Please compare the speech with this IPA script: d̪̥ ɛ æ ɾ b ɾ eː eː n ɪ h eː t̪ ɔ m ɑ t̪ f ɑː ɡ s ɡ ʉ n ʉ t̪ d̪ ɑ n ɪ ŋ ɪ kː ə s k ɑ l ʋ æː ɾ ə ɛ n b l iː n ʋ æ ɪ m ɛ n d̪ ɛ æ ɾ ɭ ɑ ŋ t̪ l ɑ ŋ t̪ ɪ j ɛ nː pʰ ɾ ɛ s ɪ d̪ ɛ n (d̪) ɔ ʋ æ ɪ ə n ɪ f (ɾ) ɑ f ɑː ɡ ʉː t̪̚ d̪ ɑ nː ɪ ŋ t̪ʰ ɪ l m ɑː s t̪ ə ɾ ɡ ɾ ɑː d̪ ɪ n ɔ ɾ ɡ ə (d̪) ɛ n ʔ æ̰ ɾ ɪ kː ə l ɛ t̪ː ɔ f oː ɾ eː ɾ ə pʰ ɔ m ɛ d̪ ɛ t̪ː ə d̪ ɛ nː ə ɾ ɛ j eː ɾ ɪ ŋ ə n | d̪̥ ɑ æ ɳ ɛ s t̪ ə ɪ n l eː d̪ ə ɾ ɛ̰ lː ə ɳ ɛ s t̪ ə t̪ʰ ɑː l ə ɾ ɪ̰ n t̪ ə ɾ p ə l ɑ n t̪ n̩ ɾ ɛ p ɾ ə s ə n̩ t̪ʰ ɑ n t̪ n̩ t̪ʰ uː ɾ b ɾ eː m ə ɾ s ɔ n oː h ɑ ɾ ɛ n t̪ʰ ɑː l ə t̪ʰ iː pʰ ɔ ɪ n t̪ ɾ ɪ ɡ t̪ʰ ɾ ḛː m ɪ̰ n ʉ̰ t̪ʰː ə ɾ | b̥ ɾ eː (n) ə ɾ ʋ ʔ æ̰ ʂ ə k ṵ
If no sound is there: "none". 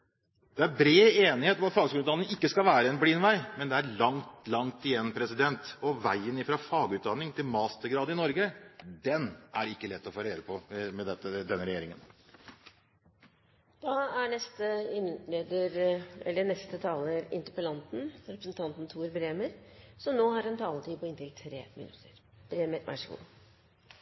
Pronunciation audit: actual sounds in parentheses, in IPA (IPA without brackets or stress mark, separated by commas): t̪, ɾ, d̪, m